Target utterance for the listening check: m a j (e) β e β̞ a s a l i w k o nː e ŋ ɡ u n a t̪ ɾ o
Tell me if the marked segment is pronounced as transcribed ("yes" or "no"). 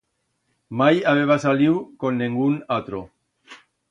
no